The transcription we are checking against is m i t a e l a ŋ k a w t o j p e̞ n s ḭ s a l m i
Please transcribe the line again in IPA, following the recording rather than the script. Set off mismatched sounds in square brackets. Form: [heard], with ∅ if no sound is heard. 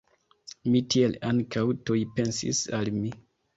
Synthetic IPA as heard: m i t [i] e l a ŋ k a w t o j p e̞ n s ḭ s a l m i